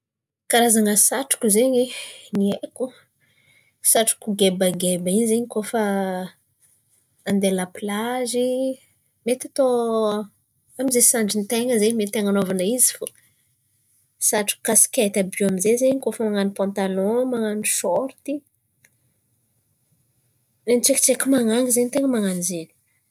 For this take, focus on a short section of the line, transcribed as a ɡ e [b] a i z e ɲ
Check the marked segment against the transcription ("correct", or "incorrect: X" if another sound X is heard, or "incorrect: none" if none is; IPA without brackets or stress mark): correct